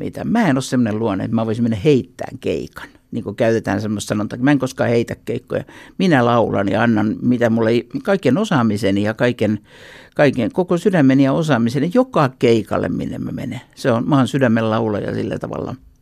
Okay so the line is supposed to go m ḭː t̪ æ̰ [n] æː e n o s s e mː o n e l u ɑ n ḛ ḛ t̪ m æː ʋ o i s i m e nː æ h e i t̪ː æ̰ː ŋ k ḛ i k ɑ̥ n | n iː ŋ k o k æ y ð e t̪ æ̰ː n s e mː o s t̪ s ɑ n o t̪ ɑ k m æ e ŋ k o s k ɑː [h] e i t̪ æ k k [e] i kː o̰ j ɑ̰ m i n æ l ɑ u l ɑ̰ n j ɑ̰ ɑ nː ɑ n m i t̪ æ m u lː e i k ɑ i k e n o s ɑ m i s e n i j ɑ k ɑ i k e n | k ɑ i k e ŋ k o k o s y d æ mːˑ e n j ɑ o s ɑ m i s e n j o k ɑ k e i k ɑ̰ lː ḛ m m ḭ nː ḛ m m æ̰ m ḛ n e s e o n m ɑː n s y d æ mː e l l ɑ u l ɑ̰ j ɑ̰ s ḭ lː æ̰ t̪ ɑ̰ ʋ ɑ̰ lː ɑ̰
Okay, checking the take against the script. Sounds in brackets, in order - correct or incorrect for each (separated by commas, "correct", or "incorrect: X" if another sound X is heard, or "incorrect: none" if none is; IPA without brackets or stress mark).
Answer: incorrect: m, correct, correct